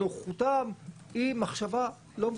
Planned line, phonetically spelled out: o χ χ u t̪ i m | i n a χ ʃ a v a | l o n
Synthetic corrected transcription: o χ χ u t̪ a m | i m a χ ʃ a v a | l o m